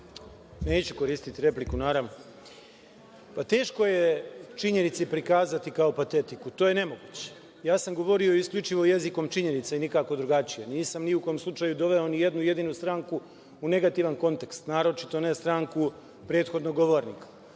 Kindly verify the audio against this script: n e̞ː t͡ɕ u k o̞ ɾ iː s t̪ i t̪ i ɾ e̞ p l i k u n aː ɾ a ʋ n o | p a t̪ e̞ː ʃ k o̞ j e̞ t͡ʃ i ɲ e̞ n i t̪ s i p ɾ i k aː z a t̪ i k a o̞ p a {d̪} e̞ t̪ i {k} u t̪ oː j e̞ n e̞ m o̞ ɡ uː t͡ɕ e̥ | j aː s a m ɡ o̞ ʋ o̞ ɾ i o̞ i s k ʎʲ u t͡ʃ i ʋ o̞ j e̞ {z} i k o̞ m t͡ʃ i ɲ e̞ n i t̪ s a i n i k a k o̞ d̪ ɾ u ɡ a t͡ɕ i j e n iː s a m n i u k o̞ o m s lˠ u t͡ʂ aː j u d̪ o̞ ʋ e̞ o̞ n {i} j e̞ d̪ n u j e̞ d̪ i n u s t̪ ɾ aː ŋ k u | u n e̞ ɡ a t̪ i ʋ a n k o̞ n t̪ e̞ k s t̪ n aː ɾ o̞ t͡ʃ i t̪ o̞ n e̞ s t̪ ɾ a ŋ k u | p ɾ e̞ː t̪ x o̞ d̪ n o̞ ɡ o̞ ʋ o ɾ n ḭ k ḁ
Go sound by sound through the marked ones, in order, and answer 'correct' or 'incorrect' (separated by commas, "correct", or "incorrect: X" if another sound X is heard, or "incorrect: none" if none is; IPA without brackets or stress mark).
incorrect: t̪, correct, correct, correct